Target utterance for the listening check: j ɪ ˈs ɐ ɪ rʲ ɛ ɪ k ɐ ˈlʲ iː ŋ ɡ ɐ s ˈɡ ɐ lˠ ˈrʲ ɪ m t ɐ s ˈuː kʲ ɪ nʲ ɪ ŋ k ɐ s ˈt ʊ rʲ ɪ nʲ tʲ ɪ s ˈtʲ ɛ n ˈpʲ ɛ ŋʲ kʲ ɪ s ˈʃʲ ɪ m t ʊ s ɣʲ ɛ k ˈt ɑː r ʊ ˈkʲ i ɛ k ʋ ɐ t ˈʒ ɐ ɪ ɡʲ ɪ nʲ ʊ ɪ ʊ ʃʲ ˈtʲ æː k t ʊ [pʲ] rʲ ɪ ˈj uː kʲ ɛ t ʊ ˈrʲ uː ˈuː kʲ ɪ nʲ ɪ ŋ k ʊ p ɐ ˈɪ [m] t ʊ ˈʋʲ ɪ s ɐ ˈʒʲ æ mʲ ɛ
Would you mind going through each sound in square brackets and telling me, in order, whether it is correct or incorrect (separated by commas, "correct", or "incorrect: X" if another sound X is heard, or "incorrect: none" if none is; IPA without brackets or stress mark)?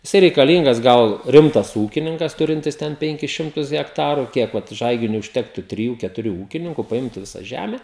incorrect: tʲ, correct